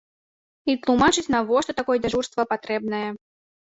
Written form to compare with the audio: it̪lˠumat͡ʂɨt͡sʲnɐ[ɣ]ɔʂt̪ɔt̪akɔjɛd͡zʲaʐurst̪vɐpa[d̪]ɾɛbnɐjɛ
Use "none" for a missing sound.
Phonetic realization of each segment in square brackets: v, t̪

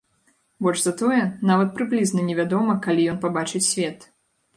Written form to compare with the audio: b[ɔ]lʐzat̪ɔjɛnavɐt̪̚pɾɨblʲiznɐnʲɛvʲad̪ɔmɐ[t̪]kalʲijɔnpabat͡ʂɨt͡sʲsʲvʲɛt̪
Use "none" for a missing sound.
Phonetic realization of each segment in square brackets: ɔ, none

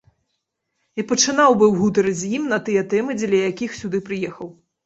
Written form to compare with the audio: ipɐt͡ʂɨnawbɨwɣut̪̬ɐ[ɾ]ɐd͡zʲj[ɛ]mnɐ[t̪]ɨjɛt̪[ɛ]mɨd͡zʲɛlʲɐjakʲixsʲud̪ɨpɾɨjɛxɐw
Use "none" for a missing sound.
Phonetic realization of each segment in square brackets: ɾ, i, t̪, ɛ

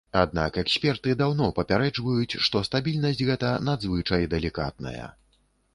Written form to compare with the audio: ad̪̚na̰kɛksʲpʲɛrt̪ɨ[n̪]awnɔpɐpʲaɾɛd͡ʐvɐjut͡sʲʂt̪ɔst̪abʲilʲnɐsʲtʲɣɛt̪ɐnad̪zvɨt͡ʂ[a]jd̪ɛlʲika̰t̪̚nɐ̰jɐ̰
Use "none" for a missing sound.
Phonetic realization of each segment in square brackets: d̪, ɐ

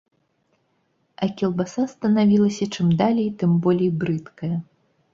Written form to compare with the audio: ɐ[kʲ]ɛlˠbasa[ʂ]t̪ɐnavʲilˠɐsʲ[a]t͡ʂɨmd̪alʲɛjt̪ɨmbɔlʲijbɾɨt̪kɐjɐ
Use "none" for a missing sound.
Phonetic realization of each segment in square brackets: kʲ, s, ɐ

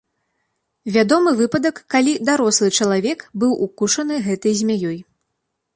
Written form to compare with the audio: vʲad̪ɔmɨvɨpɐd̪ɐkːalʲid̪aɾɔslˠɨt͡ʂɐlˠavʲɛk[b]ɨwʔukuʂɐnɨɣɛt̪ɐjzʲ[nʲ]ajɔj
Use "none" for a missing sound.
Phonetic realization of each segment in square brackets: b, mʲ

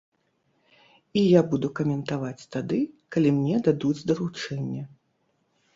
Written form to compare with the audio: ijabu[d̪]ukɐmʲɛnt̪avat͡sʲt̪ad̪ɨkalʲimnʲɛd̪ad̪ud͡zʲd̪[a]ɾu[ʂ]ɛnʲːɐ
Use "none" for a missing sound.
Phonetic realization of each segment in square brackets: d̪, ɐ, t͡ʂ

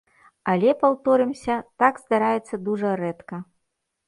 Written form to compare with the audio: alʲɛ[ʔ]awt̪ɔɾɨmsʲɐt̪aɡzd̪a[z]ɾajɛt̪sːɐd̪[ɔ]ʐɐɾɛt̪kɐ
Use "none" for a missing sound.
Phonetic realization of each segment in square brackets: p, none, u

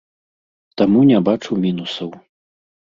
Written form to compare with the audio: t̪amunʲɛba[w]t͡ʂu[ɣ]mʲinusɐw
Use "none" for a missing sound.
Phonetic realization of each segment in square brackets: none, w

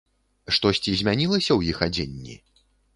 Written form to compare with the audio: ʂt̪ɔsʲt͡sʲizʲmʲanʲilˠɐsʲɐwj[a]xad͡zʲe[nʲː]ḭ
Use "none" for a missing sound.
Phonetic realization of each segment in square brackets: i, nʲː

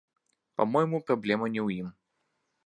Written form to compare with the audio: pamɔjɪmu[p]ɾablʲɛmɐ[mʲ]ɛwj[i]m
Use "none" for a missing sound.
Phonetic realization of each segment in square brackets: p, nʲ, i

